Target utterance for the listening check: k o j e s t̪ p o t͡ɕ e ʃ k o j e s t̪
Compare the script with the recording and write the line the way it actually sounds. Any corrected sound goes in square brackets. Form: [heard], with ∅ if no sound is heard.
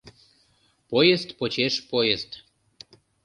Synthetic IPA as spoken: [p] o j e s t̪ p o t͡ɕ e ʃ [p] o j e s t̪